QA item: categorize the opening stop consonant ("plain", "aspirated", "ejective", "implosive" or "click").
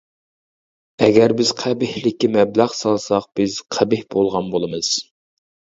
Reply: plain